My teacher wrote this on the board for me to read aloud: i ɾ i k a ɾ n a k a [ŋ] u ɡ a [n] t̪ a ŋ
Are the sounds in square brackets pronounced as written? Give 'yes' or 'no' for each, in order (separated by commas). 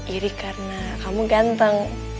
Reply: no, yes